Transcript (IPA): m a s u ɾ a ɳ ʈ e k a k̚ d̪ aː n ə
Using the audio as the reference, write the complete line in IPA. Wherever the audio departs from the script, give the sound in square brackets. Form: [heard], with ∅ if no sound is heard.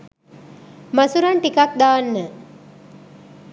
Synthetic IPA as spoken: m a s u ɾ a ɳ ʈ [i] k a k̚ d̪ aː [nː] ə